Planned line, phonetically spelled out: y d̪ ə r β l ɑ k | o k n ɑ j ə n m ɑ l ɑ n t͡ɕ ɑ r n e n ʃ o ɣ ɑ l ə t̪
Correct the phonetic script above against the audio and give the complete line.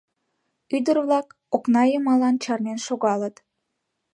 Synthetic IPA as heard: y d̪ ə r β l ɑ k | o k n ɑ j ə m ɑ l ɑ n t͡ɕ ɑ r n e n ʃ o ɣ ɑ l ə t̪